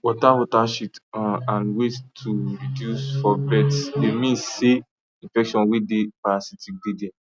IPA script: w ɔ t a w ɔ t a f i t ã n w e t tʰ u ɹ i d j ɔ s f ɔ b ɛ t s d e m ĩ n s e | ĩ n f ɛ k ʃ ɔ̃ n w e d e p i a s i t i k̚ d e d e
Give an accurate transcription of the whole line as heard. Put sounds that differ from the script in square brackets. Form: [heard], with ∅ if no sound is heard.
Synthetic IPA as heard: w ɔ t a w ɔ t a [ʃ] i t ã n w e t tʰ u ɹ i d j [u] s f ɔ b ɛ t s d e m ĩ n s e | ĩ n f ɛ k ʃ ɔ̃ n w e d e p [a] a s i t i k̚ d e d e

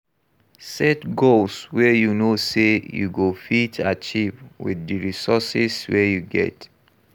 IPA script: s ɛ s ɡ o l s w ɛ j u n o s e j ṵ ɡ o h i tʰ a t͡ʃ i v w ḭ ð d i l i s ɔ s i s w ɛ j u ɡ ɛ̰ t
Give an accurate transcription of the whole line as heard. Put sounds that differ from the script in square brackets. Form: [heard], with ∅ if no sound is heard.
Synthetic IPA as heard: s ɛ [t] ɡ o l s w ɛ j u n o s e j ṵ ɡ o [f] i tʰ a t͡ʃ i v w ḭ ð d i [ɹ] i s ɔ s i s w ɛ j u ɡ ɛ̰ t

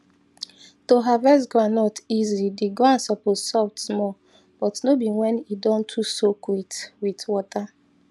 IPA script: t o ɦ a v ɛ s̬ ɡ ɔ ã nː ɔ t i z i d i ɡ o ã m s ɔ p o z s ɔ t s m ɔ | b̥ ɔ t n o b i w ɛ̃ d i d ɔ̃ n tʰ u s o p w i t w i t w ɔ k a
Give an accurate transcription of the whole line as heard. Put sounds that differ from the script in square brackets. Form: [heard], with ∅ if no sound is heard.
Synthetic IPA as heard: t o ɦ a v ɛ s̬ ɡ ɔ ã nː ɔ t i z i d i ɡ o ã [n] s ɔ p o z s ɔ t s m ɔ | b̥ ɔ t n o b i w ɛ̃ [n] i d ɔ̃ n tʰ u s o [k] w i t w i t w ɔ [t] a

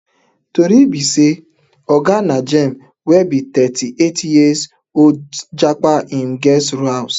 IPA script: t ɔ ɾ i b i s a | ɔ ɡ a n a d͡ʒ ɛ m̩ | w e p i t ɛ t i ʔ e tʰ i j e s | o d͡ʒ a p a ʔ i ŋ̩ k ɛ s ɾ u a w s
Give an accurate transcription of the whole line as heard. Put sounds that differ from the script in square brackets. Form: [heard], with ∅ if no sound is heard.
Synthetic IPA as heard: t [o] ɾ i b i s [e] | ɔ ɡ a n a d͡ʒ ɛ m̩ | w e [b] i t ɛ t i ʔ e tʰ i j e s | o d͡ʒ a [k͡p] a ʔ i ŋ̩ [ɡ] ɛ s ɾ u a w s

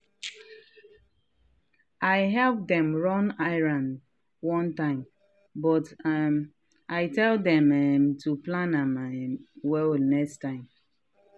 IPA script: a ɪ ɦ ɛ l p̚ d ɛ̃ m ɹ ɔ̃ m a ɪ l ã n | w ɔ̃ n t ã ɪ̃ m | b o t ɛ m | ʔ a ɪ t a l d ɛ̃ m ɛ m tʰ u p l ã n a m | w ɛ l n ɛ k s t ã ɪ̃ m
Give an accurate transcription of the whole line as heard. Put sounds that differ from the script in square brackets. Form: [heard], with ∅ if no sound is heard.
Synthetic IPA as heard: a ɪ ɦ ɛ l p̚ d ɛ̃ m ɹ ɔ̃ [n] a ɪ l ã n | w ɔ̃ n t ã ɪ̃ m | b [ɔ] t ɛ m | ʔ a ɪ t [ɛ] l d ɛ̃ m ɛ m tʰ u p l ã n a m | w ɛ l n ɛ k s t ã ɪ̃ m

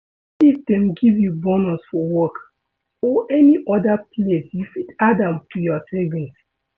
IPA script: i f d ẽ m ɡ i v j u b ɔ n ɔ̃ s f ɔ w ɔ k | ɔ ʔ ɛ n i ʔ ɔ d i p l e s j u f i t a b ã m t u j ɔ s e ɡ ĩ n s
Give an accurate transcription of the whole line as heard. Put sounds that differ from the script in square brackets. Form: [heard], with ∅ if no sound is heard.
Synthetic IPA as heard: i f d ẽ m ɡ i v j u b ɔ n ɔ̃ s f ɔ w ɔ k | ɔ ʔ ɛ n i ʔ ɔ d [a] p l e s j u f i t a [d] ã m t u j ɔ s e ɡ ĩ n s

